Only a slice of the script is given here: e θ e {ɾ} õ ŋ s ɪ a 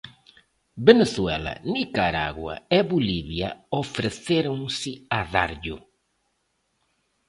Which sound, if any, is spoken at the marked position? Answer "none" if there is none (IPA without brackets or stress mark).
ɾ